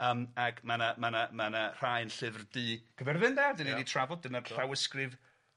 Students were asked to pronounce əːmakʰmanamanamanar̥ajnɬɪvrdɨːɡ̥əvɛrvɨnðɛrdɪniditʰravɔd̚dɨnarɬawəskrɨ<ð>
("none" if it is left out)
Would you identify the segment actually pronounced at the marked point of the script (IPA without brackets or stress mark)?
v